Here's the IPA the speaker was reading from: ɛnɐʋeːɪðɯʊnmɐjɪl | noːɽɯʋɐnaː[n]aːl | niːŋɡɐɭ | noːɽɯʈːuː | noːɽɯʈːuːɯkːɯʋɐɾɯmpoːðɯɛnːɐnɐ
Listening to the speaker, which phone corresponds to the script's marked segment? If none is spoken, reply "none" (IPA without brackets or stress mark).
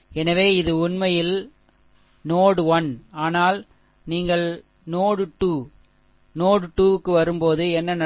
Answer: n